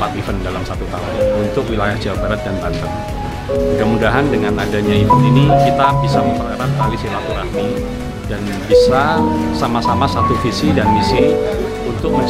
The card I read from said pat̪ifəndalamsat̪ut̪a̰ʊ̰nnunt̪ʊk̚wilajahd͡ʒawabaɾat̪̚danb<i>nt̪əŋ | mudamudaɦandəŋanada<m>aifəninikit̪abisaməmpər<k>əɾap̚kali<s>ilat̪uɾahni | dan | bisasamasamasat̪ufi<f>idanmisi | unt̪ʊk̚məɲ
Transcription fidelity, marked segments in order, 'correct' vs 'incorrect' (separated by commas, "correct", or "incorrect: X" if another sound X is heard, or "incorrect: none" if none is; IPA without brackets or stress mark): incorrect: a, incorrect: ɲ, correct, correct, incorrect: s